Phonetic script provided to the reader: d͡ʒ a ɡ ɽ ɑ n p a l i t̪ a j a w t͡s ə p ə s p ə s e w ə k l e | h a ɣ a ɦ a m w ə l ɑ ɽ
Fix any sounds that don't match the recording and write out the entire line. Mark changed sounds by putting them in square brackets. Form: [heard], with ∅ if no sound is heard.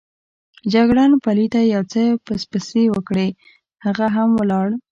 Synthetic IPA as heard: d͡ʒ a ɡ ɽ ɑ n p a l i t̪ a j a w t͡s ə p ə s p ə s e w ə k [ɽ] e | h a ɣ a ɦ a m w ə l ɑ ɽ